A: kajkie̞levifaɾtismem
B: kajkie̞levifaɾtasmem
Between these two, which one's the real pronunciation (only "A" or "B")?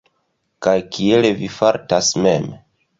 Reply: B